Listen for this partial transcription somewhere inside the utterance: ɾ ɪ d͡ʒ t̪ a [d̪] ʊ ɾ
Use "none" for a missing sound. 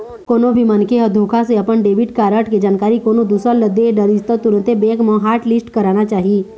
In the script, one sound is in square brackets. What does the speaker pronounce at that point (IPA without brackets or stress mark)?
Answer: t̪